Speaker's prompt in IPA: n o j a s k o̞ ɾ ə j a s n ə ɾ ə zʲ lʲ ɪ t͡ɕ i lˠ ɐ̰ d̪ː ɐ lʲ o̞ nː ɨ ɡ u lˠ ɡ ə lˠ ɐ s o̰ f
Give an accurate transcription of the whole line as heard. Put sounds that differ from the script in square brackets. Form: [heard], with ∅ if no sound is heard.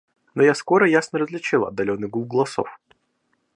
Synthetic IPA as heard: n o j a s k o̞ ɾ ə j a s n ə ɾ ə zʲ lʲ ɪ t͡ɕ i lˠ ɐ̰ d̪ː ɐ lʲ o̞ nː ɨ ɡ u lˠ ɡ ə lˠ ɐ s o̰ f